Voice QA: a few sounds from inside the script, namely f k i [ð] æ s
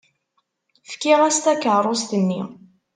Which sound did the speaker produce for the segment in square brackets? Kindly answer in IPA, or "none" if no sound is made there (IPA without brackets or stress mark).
ʁ